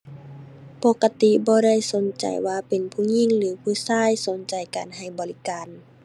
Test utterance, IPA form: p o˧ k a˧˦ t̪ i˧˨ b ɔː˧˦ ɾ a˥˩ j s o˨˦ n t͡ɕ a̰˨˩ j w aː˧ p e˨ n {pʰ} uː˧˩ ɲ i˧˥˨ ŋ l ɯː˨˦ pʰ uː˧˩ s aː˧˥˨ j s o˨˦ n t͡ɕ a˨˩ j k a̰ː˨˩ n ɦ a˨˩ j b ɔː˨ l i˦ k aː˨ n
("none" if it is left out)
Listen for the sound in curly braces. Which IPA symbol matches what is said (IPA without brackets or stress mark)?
pʰ